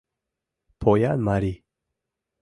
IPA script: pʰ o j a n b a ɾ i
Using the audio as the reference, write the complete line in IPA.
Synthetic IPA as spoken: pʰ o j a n m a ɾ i